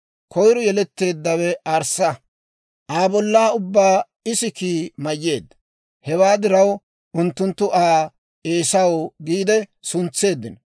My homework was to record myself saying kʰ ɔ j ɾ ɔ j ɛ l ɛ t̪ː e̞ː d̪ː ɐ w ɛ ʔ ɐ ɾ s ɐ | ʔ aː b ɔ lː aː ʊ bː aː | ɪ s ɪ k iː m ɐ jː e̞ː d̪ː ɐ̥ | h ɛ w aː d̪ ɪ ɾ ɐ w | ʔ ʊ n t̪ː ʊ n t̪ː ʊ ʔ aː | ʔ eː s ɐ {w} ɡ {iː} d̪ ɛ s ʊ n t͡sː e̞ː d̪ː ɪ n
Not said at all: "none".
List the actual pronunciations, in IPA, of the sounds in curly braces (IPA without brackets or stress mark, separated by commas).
w, iː